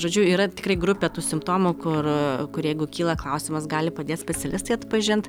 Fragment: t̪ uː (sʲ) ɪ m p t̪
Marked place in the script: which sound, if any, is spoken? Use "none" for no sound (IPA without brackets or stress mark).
sʲ